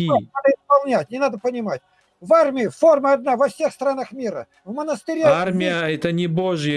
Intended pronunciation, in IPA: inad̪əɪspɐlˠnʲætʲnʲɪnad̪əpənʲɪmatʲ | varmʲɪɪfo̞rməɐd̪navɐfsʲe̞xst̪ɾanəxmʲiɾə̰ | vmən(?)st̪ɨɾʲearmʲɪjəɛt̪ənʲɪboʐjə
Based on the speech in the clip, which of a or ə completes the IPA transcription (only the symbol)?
ə